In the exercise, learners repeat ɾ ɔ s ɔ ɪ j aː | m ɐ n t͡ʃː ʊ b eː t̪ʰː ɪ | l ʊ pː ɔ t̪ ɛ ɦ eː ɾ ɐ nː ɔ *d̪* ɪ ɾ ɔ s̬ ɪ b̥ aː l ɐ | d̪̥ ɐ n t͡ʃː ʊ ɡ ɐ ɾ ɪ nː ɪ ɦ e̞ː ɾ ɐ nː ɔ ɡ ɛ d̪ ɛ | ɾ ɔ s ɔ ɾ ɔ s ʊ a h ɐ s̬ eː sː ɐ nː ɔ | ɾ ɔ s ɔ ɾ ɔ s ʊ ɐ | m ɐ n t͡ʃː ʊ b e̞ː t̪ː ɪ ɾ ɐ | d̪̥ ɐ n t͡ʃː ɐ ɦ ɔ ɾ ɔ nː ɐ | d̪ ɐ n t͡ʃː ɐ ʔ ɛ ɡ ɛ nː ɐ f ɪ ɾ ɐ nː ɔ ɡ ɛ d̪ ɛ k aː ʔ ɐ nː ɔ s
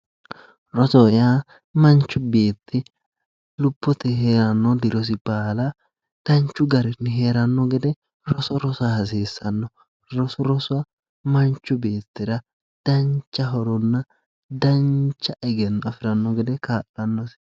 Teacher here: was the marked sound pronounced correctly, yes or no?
yes